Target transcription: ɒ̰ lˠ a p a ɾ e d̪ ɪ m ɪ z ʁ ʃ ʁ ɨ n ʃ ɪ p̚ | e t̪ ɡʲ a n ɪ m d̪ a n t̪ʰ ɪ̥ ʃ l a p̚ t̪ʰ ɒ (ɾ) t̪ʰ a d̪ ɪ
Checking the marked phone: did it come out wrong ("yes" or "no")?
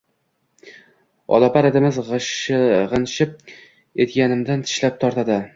no